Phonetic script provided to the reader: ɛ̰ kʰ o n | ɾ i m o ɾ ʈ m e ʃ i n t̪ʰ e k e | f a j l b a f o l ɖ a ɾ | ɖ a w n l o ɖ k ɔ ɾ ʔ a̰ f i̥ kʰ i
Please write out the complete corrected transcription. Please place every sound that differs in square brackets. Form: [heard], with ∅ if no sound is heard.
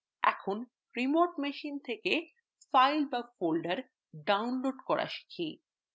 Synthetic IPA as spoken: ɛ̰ kʰ o n | ɾ i m o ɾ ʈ m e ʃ i n t̪ʰ e k e | f a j l b a f o l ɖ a ɾ | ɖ a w n l o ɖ k ɔ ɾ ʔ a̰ [ʃ] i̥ kʰ i